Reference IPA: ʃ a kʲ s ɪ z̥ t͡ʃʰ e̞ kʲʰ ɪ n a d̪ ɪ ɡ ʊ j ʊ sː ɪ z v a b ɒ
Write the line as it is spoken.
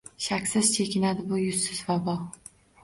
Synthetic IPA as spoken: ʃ a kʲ s ɪ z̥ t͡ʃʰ e̞ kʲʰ ɪ n a d̪ ɪ b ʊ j ʊ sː ɪ z v a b ɒ

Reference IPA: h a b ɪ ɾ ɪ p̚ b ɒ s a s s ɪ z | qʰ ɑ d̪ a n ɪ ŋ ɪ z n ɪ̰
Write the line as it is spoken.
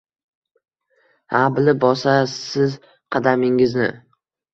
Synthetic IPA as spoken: h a b ɪ l ɪ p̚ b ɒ s a s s ɪ z | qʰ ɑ d̪ a m ɪ ŋ ɪ z n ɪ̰

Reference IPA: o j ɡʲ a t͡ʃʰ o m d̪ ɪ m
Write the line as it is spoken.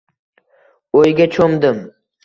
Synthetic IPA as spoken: o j ɡʲ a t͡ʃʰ o m d̪ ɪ m

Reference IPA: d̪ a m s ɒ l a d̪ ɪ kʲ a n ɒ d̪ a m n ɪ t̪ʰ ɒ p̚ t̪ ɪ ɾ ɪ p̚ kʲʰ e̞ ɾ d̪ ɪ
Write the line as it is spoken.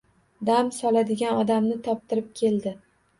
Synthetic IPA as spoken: d̪ a m s ɒ l a d̪ ɪ ɡʲ a n ɒ d̪ a m n ɪ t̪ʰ ɒ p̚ t̪ ɪ ɾ ɪ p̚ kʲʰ e̞ l d̪ ɪ

